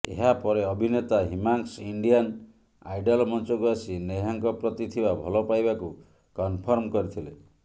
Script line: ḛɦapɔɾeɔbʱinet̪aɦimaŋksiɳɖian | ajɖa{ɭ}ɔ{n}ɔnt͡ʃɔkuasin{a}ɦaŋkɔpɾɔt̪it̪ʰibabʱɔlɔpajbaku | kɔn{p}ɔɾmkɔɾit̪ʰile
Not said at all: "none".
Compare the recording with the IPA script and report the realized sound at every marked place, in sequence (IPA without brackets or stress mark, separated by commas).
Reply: l, m, e, pʰ